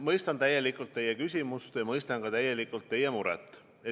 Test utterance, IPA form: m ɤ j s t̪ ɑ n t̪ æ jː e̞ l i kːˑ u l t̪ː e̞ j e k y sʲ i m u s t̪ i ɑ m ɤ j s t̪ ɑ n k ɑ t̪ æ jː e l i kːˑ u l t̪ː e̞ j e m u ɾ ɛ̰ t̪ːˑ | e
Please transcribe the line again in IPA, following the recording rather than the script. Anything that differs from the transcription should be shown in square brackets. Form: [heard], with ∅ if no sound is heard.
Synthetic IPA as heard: m ɤ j s t̪ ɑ n t̪ æ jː e̞ l i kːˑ u l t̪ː e̞ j e k y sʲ i m u s t̪ [j] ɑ m ɤ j s t̪ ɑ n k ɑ t̪ æ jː e l i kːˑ u l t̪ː e̞ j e m u ɾ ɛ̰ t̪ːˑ | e